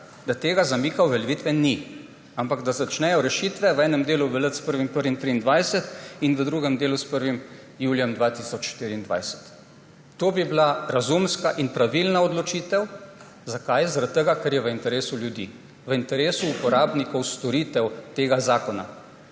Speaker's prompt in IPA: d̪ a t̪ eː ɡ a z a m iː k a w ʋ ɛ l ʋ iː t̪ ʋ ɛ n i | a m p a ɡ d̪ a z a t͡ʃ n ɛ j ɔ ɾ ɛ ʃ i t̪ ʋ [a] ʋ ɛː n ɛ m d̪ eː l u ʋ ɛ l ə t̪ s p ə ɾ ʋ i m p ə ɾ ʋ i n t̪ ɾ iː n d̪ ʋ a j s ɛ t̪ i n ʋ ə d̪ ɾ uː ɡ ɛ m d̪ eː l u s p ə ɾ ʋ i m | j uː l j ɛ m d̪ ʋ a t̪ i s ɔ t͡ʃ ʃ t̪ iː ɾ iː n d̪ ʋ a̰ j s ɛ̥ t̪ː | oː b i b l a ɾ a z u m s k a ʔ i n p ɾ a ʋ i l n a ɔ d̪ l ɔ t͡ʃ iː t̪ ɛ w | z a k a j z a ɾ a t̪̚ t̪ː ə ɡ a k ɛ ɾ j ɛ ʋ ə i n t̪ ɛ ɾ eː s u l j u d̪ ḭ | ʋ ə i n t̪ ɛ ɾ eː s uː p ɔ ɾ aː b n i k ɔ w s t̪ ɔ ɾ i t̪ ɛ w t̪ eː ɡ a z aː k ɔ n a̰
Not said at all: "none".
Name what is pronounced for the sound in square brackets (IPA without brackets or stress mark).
ɛ